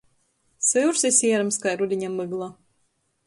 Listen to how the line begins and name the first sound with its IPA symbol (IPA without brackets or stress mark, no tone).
s